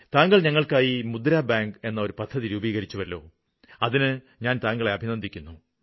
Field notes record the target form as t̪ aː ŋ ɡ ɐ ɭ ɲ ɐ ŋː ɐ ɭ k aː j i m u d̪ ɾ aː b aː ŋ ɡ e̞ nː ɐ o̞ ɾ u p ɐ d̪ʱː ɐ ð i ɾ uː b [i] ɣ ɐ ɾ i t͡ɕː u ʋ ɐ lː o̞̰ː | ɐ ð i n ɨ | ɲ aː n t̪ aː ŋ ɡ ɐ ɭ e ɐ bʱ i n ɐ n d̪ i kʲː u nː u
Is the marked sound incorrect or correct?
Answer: incorrect: iː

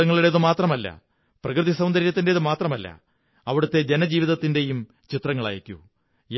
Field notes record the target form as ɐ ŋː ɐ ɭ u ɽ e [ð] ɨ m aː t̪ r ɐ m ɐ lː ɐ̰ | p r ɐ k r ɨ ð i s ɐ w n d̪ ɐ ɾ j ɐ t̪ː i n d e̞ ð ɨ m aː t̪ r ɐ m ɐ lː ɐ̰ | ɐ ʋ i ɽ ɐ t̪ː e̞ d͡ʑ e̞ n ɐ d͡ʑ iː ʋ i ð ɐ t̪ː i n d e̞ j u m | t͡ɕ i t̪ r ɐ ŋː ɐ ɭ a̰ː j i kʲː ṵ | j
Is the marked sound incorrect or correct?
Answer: correct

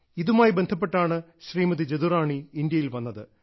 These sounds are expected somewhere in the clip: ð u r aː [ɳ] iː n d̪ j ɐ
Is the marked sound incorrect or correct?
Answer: correct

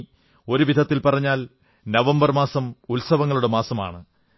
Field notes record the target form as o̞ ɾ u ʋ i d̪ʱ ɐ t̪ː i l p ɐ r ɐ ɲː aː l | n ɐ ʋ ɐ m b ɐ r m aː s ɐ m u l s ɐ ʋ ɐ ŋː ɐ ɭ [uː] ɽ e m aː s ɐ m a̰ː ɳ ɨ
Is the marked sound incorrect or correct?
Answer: incorrect: u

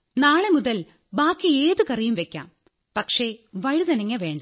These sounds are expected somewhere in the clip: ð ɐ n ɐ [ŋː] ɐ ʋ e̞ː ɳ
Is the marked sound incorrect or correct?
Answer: correct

